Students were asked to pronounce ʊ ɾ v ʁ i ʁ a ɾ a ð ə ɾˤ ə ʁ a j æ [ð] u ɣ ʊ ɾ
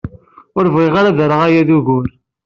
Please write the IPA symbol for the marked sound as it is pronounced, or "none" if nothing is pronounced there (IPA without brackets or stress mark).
ð